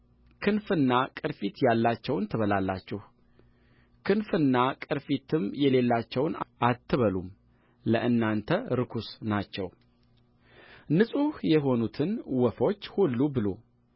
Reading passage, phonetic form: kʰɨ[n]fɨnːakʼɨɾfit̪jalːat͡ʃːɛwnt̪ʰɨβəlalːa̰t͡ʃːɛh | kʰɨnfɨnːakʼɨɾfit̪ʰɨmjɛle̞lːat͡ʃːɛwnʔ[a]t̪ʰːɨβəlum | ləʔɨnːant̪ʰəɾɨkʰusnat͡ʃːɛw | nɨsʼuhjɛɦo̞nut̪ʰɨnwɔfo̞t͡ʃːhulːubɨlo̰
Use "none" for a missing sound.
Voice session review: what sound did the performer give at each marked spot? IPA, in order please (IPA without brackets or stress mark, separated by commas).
n, a